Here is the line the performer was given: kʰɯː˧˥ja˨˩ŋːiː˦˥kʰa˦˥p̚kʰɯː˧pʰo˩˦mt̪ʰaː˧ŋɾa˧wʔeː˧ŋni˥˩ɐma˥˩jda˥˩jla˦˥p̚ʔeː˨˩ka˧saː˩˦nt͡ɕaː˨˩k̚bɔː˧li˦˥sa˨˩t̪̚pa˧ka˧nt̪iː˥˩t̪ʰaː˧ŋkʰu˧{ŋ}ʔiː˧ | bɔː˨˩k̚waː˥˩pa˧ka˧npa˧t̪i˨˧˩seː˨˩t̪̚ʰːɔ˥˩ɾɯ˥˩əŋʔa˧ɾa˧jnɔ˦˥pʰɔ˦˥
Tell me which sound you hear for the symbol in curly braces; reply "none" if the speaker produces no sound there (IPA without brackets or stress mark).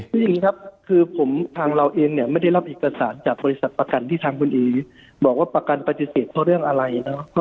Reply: n